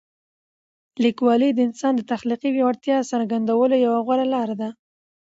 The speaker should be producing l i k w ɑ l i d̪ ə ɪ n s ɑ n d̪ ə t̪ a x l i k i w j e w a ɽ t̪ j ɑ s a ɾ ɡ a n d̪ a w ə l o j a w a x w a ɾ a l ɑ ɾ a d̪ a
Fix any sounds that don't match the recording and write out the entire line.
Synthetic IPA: l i k w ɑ l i d̪ ə ɪ n s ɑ n d̪ ə t̪ a x l i q i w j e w a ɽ t̪ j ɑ s a ɾ ɡ a n d̪ a w ə l o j a w a ɣ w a ɾ a l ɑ ɾ a d̪ a